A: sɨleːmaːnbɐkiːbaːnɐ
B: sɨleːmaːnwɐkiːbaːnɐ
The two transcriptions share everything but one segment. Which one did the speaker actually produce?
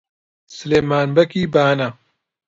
A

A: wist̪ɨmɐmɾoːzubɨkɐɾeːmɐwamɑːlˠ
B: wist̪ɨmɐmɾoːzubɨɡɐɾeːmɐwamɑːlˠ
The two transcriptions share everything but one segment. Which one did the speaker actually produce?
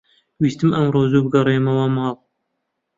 B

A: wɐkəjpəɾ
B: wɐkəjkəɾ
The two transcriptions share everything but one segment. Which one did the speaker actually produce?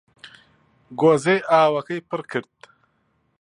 A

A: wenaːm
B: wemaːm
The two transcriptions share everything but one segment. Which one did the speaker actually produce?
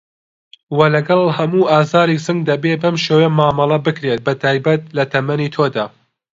B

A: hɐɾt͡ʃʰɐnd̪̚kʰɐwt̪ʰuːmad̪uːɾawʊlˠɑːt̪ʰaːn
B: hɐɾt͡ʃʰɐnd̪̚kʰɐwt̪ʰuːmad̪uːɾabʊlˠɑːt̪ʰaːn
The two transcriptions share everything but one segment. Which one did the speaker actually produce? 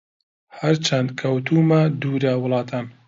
A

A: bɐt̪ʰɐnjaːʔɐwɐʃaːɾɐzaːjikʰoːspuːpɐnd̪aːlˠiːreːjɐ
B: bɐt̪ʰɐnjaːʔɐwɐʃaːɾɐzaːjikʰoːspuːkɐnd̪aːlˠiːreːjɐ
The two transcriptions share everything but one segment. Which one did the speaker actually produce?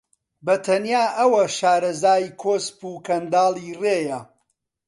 B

